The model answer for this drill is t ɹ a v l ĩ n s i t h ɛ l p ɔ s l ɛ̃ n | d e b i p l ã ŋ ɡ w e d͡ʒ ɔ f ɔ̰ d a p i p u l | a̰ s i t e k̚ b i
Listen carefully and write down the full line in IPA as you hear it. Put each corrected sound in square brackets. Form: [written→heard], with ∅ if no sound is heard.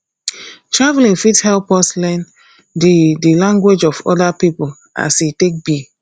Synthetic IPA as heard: t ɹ a v l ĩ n [s→f] i t h ɛ l p ɔ s l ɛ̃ n | d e [b→d] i [p→∅] l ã ŋ ɡ w e d͡ʒ ɔ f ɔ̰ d a p i p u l | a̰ s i t e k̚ b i